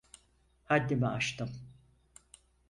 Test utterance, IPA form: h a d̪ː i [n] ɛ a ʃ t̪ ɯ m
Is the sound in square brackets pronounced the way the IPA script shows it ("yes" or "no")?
no